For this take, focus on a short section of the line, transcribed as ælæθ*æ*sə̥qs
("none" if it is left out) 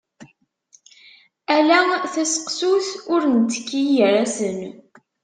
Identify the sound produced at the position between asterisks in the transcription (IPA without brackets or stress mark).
æ